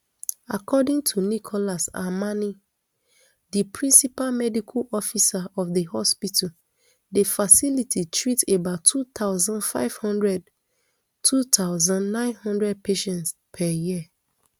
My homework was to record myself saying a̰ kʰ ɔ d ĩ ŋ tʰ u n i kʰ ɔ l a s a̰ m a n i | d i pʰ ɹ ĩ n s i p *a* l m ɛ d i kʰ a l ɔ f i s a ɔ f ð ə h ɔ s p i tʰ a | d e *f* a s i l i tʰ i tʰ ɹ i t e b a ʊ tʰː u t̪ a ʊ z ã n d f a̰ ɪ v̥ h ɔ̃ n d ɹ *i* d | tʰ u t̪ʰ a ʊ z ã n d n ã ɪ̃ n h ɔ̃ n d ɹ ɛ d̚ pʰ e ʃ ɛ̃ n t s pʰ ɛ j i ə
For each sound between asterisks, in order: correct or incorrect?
correct, correct, incorrect

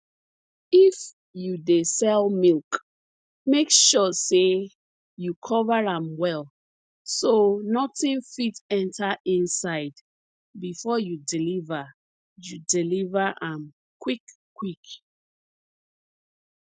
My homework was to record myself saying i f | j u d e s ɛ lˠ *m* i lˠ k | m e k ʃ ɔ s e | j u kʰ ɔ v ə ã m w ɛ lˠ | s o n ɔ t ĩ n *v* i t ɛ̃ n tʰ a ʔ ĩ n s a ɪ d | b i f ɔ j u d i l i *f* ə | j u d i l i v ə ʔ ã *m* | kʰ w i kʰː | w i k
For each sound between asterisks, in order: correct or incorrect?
correct, incorrect, incorrect, correct

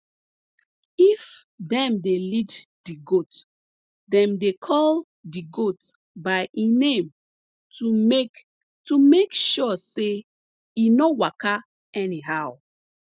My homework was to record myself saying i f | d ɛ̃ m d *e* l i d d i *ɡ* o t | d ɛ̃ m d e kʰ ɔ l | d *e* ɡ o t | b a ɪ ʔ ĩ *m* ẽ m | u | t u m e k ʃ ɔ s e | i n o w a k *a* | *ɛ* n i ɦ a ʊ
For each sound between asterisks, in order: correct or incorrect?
correct, correct, incorrect, incorrect, correct, correct

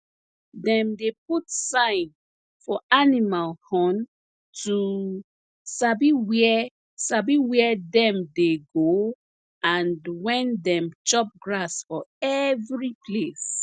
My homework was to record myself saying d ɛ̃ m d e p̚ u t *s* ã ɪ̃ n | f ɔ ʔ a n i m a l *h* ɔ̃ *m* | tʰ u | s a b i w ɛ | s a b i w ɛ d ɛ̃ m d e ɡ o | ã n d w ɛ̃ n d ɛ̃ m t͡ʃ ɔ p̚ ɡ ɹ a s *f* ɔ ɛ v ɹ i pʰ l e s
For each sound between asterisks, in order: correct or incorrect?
correct, correct, incorrect, correct

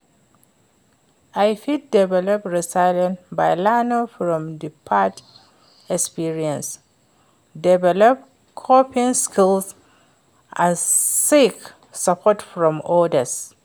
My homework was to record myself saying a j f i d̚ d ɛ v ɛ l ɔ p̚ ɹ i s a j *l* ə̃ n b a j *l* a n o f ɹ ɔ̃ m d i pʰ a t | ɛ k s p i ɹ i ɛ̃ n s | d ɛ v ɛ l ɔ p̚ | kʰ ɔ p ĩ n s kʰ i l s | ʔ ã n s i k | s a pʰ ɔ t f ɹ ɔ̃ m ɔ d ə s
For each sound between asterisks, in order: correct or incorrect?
correct, correct

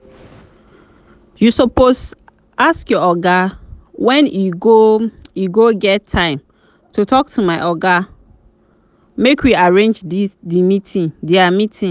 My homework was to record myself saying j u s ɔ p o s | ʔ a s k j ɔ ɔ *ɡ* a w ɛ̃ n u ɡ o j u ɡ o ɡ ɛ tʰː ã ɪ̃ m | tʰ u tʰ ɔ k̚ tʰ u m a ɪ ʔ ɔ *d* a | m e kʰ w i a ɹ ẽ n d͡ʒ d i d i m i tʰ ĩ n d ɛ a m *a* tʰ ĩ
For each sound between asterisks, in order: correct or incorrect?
correct, incorrect, incorrect

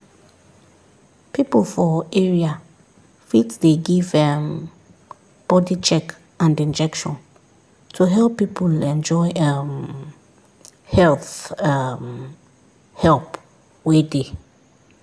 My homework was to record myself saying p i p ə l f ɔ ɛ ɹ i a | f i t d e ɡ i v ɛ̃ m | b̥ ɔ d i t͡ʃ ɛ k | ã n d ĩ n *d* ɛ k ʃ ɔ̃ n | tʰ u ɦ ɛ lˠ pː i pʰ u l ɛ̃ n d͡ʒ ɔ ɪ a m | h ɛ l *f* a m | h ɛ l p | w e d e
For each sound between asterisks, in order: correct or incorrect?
incorrect, incorrect

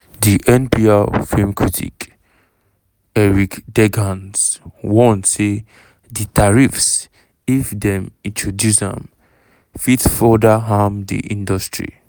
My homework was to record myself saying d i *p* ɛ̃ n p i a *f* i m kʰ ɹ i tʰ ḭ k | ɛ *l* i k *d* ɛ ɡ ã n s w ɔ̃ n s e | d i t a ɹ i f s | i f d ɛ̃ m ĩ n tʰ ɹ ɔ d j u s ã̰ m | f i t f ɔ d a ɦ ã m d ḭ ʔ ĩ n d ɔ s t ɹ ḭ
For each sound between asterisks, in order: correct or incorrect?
incorrect, correct, incorrect, correct

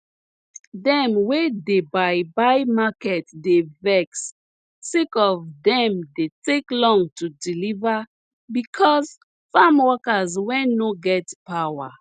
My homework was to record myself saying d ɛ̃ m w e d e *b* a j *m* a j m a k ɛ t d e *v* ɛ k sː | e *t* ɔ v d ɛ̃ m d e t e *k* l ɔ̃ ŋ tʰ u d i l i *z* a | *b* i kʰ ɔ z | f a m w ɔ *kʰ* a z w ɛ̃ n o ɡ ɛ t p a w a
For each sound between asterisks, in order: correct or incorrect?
correct, incorrect, correct, incorrect, correct, incorrect, correct, incorrect

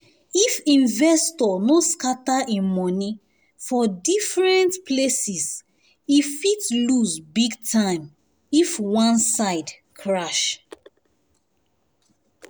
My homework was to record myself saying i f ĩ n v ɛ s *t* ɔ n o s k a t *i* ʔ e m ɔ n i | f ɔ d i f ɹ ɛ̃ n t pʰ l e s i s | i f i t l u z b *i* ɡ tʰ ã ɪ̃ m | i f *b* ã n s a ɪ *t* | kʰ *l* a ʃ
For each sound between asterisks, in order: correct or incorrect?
correct, incorrect, correct, incorrect, incorrect, incorrect

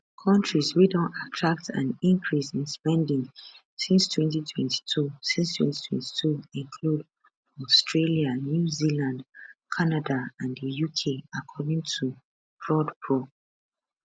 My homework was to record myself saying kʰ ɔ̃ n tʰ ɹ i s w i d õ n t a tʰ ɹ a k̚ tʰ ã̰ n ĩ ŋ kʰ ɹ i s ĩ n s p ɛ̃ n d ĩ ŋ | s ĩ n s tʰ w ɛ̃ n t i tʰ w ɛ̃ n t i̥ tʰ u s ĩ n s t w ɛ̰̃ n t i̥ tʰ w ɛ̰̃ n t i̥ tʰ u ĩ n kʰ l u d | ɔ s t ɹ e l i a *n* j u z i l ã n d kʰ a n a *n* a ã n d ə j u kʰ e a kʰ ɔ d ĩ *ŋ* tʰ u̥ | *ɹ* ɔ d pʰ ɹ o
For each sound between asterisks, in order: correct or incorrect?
correct, incorrect, correct, correct

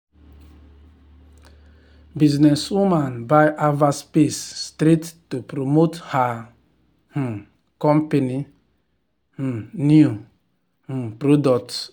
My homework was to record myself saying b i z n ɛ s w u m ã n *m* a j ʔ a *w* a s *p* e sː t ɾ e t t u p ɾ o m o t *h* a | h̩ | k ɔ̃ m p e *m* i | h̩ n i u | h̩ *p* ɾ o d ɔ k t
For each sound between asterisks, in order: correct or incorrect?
incorrect, incorrect, correct, correct, incorrect, correct

